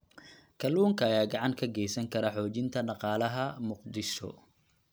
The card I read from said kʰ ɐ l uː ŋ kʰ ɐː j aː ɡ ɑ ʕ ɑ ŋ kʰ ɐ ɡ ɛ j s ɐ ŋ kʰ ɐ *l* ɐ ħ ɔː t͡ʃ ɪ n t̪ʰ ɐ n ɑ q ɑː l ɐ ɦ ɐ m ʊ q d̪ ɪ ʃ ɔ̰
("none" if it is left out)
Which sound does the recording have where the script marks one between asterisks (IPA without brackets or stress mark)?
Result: ɾ